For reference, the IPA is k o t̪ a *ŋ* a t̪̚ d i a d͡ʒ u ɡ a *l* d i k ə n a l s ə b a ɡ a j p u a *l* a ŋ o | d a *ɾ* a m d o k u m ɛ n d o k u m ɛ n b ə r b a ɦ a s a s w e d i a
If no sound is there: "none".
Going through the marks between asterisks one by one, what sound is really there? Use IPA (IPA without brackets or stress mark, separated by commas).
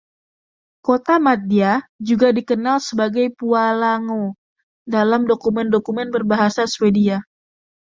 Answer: m, none, l, l